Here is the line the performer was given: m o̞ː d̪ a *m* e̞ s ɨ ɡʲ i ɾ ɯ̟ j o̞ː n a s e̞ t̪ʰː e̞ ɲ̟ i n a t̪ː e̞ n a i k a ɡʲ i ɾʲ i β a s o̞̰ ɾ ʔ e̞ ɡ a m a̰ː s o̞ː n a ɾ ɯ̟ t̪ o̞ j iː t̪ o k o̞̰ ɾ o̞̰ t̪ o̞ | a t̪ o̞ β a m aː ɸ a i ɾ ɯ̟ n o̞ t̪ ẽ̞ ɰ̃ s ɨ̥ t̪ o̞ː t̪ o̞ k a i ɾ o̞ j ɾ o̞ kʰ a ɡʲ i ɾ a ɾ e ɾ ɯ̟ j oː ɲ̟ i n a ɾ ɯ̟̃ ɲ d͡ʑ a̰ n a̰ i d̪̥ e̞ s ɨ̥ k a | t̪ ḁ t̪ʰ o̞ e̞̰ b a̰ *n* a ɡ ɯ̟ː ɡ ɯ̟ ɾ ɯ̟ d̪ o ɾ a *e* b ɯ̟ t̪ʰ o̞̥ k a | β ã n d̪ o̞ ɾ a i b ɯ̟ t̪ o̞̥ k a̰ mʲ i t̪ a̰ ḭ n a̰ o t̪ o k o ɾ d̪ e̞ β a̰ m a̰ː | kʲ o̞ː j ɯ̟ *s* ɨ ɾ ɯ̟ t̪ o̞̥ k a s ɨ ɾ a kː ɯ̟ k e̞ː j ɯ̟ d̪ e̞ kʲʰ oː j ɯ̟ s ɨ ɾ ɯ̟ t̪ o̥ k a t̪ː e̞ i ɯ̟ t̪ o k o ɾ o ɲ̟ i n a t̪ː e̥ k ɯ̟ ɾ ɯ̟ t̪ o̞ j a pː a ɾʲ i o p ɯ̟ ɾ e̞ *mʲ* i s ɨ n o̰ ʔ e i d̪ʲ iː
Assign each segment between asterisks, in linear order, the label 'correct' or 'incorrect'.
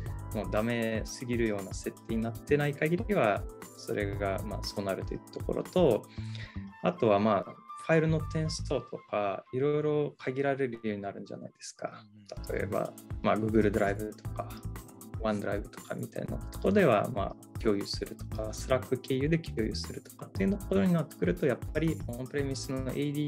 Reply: correct, incorrect, incorrect, correct, correct

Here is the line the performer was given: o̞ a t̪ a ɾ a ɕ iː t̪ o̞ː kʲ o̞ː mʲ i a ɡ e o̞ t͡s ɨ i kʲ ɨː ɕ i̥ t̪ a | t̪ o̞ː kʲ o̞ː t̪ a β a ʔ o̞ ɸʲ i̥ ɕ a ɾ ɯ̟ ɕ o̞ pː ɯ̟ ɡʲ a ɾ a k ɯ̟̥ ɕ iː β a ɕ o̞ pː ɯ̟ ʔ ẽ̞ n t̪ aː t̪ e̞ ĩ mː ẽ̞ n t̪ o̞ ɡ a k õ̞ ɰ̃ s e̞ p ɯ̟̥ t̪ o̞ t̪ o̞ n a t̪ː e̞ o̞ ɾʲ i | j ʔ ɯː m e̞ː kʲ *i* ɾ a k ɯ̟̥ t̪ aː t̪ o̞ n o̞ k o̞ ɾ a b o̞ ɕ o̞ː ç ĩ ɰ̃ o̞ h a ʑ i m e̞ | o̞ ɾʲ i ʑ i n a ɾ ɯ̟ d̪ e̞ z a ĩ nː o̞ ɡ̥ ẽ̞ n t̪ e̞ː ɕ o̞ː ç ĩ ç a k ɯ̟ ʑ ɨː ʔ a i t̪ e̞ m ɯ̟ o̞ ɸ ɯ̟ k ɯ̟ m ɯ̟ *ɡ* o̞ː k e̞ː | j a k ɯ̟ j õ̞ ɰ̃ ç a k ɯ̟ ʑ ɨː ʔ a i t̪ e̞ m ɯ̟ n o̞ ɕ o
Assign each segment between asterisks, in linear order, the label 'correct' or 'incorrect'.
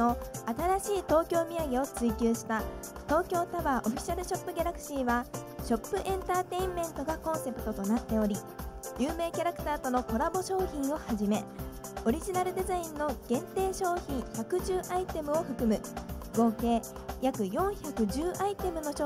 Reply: incorrect, correct

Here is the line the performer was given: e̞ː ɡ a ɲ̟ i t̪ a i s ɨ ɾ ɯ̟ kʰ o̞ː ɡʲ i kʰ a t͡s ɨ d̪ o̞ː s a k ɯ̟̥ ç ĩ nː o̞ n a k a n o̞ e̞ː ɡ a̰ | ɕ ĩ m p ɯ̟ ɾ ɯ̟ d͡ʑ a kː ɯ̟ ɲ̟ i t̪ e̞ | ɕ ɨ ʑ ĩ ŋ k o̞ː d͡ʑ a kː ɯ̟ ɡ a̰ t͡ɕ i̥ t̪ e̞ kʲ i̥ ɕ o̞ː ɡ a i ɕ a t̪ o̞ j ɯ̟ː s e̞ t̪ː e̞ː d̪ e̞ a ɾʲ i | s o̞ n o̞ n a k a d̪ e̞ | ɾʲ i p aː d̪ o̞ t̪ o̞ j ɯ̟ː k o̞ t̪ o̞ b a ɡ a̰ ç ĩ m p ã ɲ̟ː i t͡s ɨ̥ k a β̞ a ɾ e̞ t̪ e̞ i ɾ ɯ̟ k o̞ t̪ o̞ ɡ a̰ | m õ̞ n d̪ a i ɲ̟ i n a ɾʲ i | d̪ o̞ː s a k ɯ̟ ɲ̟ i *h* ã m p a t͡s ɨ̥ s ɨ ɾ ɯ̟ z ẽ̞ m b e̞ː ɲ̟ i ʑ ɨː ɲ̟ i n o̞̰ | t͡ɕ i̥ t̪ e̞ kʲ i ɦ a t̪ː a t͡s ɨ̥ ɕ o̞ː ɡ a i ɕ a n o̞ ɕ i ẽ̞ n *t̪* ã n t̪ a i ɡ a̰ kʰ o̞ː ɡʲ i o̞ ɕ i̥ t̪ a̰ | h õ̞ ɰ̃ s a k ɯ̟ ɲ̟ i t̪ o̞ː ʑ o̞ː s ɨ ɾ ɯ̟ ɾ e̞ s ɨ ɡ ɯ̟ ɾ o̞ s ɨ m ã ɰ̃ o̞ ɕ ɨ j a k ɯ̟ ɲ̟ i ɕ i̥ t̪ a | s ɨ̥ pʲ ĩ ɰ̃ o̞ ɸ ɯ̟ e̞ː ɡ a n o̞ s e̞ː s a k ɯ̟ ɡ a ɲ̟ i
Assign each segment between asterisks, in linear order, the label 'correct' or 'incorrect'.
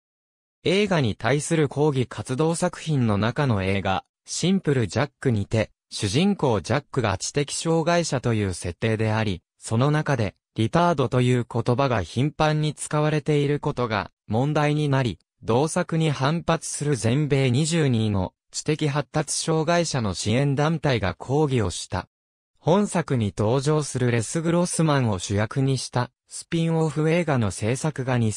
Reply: correct, incorrect

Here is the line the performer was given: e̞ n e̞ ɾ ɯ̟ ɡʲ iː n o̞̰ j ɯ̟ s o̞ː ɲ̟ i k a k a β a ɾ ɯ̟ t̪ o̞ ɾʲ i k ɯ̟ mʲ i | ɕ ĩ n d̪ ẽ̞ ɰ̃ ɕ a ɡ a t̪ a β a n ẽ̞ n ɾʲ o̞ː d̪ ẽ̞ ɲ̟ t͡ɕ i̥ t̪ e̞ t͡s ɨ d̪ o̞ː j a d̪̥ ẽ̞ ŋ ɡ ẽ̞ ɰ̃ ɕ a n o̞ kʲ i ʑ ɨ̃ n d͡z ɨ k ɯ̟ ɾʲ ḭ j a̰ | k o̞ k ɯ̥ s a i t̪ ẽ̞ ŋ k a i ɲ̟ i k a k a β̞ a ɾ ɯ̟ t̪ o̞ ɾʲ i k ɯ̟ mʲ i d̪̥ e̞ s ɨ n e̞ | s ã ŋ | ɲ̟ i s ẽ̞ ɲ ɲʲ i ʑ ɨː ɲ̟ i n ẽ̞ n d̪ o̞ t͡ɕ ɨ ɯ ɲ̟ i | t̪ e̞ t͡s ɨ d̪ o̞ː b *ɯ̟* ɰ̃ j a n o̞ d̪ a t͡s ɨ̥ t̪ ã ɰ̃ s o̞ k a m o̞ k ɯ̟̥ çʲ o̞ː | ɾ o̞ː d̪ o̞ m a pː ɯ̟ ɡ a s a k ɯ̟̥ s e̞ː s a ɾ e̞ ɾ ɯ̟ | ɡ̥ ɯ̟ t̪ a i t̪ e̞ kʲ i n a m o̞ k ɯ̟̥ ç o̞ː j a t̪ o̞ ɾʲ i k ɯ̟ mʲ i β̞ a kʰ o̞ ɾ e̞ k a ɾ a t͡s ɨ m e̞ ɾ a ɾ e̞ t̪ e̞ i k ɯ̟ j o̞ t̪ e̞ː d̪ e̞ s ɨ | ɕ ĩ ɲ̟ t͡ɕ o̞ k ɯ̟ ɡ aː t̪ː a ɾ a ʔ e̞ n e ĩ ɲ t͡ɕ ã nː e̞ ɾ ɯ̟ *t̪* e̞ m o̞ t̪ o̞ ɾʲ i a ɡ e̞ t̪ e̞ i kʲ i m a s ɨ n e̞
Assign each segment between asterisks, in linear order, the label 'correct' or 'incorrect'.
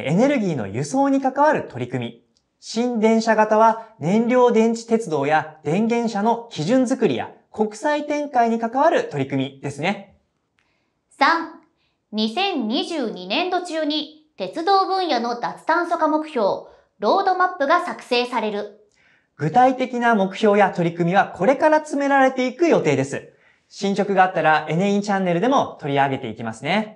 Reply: incorrect, incorrect

